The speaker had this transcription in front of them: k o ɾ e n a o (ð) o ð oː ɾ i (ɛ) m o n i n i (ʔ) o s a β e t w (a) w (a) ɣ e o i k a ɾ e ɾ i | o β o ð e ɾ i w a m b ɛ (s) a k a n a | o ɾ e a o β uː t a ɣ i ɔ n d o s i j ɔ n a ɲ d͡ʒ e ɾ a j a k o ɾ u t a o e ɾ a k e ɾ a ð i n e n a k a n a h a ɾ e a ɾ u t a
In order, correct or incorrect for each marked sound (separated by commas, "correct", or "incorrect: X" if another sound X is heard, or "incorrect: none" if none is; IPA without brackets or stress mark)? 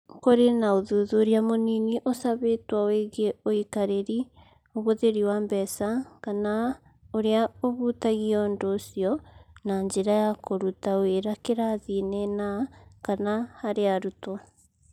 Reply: correct, incorrect: a, correct, correct, incorrect: e, correct